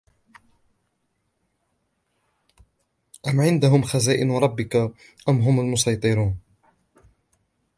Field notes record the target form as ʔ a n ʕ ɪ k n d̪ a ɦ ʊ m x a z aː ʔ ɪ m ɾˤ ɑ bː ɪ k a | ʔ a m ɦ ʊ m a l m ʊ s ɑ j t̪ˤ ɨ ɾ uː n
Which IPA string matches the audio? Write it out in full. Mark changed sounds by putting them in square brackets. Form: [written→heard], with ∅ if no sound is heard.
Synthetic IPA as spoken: ʔ a [n→m] ʕ ɪ [k→∅] n d̪ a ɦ ʊ m x a z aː ʔ ɪ [m→n] ɾˤ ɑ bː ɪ k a | ʔ a m ɦ ʊ m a l m ʊ s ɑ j t̪ˤ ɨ ɾ uː n